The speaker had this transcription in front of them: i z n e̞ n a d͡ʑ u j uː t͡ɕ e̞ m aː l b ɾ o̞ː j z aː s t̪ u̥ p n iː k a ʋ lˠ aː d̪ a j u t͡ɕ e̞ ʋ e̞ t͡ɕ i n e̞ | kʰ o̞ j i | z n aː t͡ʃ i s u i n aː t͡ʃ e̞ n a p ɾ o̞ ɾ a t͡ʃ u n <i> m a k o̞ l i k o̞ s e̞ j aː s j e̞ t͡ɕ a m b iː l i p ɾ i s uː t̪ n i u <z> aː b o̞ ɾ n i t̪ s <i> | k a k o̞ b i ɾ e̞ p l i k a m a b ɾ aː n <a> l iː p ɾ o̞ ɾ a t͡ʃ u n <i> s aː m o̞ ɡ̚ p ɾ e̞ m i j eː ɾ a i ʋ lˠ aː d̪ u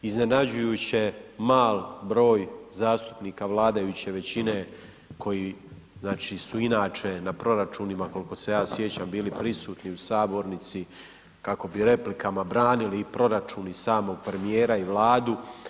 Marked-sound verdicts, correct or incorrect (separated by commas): correct, incorrect, correct, incorrect, correct